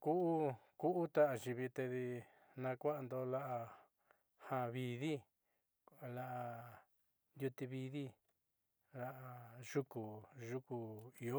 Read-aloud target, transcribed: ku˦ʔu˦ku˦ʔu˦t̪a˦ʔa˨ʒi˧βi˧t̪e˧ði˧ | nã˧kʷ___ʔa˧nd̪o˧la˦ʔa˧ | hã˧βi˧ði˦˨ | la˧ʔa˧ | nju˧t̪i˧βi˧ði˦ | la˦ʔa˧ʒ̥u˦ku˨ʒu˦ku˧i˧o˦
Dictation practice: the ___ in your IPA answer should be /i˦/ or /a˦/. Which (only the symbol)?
a˦